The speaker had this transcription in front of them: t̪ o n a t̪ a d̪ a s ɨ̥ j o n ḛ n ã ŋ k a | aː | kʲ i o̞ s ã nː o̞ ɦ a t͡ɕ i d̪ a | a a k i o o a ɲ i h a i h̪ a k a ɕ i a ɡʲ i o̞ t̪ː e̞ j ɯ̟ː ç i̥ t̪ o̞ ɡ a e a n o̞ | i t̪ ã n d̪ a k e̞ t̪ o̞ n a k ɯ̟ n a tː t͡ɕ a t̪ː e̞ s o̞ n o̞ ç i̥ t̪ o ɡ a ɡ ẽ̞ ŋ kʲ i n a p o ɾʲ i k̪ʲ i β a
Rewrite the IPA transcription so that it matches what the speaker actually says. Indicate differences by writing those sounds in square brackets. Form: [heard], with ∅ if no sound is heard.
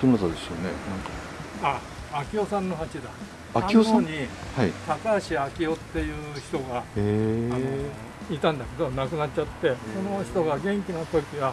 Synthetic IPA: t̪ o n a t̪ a d̪ [e] s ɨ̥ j o n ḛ n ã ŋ k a | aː | kʲ i o̞ s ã nː o̞ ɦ a t͡ɕ i d̪ a | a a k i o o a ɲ i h a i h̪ a k a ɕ i a [kʲ] i o̞ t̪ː e̞ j ɯ̟ː ç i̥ t̪ o̞ ɡ a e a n o̞ | i t̪ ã n d̪ a k e̞ [d̪] o̞ n a k ɯ̟ n a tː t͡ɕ a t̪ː e̞ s o̞ n o̞ ç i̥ t̪ o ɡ a ɡ ẽ̞ ŋ kʲ i n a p o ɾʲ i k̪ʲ i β a